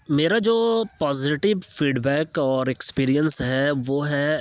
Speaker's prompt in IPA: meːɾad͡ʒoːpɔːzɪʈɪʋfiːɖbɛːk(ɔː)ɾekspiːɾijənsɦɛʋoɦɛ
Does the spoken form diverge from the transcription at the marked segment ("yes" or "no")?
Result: no